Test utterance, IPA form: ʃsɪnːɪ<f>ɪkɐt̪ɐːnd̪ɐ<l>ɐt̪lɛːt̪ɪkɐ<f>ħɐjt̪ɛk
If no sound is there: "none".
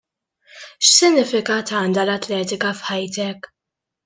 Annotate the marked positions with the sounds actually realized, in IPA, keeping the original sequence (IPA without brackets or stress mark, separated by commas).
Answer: f, l, f